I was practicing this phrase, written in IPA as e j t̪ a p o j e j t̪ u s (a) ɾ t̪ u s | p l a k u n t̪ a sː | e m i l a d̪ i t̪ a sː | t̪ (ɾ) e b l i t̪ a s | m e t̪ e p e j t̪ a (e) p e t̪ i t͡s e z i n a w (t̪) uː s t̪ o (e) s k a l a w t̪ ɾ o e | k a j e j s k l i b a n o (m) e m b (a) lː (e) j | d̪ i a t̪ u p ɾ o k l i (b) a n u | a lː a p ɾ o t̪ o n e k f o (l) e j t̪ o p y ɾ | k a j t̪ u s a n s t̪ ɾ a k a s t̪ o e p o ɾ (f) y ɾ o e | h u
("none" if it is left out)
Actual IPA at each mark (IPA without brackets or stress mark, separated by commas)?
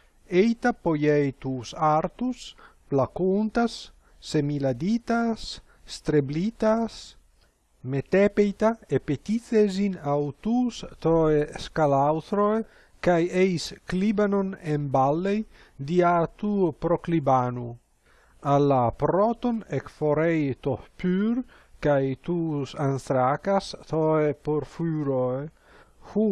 a, ɾ, e, t̪, e, n, a, e, b, ɾ, f